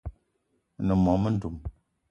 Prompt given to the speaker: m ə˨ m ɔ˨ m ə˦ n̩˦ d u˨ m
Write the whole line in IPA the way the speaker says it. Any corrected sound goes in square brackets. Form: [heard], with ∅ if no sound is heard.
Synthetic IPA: [n] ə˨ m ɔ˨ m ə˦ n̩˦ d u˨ m